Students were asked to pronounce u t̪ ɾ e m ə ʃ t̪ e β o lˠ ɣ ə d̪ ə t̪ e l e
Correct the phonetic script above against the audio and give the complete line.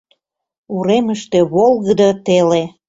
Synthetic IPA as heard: u ɾ e m ə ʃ t̪ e β o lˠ ɣ ə d̪ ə t̪ e l e